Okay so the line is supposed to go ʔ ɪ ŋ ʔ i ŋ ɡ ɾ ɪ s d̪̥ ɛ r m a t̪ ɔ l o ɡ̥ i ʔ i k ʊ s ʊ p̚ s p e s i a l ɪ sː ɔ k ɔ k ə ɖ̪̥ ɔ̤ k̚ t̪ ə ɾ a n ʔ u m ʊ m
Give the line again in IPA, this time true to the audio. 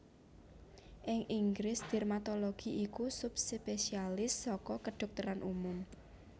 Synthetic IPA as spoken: ʔ ɪ ŋ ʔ i ŋ ɡ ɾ ɪ s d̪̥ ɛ r m a t̪ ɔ l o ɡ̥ i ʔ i k u s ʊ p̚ s p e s i a l ɪ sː ɔ k ɔ k ə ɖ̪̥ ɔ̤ k̚ t̪ ə ɾ a n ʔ u m ʊ m

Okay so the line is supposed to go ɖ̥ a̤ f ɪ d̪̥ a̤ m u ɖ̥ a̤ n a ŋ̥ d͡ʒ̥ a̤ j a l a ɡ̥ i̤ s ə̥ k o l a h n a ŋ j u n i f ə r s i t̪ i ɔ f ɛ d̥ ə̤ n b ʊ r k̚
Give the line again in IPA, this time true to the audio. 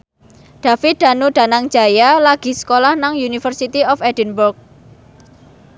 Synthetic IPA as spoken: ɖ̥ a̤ f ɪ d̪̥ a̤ n u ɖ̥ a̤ n a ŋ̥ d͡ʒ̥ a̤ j a l a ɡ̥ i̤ s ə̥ k o l a h n a ŋ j u n i f ə r s i t̪ i ɔ f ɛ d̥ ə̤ n b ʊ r k̚

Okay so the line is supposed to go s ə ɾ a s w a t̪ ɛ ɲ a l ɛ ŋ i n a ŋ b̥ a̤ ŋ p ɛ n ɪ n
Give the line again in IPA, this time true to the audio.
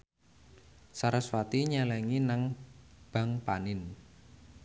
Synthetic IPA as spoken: s a ɾ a s w a t̪ i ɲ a l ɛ ŋ i n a ŋ b̥ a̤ ŋ p a n ɪ n

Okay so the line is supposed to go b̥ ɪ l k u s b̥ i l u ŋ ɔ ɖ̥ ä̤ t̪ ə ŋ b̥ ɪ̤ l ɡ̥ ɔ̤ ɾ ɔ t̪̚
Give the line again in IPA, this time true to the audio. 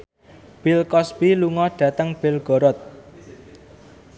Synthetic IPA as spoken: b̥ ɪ l k ɔ s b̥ i l u ŋ ɔ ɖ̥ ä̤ t̪ ə ŋ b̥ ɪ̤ l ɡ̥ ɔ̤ ɾ ɔ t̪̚

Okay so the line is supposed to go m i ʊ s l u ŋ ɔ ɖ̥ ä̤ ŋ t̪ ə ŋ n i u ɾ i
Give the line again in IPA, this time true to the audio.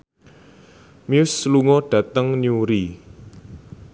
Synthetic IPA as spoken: m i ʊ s l u ŋ ɔ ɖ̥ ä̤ t̪ ə ŋ n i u ɾ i

